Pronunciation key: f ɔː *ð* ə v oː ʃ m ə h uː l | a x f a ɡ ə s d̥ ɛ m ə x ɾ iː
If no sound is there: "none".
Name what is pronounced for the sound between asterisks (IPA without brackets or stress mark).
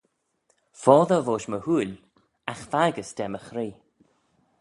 ð